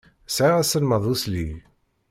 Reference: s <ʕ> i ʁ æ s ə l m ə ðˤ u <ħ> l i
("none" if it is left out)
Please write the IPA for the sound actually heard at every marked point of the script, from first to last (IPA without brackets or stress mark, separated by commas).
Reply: ʕ, s